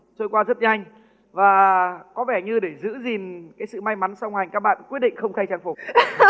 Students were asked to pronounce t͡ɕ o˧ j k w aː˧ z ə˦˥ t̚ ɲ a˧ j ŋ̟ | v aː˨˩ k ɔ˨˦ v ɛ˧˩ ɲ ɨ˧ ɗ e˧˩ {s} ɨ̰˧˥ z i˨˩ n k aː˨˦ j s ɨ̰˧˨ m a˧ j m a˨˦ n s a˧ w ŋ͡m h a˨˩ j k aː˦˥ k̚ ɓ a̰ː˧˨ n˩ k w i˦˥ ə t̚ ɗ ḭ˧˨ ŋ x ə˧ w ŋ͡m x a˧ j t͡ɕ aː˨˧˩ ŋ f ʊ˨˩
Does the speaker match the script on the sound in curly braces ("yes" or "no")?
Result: no